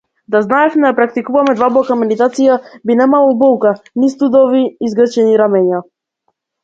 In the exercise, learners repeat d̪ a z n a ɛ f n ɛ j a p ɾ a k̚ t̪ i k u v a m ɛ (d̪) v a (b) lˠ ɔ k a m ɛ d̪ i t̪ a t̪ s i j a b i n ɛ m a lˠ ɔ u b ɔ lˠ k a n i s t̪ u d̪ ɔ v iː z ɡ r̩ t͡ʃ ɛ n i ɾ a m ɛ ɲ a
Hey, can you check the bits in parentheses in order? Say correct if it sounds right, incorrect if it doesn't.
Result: correct, correct

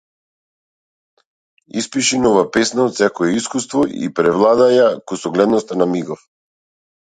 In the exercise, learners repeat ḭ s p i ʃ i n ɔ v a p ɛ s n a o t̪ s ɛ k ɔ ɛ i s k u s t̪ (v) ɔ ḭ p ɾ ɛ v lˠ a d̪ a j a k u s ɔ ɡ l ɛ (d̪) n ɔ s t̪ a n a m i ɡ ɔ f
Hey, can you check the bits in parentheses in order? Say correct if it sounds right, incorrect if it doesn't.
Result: correct, correct

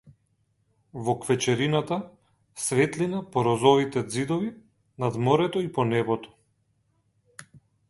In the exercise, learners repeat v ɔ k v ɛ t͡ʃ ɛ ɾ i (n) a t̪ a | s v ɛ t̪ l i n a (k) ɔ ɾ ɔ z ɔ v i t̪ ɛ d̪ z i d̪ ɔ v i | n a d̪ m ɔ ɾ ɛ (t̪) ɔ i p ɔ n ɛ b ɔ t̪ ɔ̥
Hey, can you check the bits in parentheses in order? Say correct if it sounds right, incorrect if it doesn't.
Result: correct, incorrect: p, correct

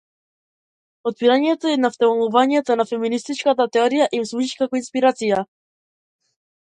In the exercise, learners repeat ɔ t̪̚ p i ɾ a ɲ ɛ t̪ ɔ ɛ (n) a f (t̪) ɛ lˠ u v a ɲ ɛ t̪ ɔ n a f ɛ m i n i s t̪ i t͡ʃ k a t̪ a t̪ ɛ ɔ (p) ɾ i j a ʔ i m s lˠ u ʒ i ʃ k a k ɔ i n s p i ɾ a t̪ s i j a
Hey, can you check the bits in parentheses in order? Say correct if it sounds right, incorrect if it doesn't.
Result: correct, correct, incorrect: none

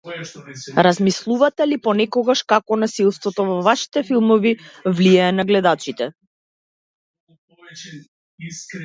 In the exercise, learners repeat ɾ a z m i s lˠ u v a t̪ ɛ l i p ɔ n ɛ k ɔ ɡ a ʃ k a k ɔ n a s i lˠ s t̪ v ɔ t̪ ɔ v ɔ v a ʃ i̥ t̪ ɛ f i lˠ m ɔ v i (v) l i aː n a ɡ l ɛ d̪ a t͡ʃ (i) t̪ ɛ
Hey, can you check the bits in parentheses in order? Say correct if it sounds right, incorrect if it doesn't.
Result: correct, correct

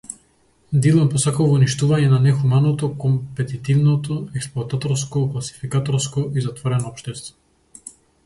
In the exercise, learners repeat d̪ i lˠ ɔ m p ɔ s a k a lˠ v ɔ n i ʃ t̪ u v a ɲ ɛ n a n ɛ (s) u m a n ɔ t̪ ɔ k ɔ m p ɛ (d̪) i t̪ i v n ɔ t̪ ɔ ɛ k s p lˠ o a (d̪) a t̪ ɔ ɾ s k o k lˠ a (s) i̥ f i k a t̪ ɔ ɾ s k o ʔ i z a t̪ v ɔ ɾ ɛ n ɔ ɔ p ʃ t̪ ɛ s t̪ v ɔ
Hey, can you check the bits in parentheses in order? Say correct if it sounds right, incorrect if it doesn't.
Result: incorrect: x, incorrect: t̪, incorrect: t̪, correct

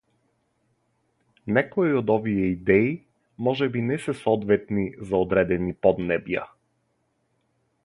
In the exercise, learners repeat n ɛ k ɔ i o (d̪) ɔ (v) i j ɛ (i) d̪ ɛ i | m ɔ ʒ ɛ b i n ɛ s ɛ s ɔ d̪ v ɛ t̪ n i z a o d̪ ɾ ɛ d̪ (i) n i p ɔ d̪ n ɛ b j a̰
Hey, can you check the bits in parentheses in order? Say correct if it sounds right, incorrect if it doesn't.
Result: correct, correct, correct, incorrect: ɛ

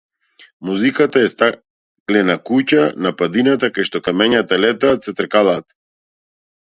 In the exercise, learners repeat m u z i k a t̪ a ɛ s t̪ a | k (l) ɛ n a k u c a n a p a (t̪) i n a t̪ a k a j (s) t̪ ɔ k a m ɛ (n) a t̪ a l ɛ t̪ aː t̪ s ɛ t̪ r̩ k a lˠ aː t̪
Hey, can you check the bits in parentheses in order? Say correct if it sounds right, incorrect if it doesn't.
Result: correct, incorrect: d̪, incorrect: ʃ, incorrect: ɲ

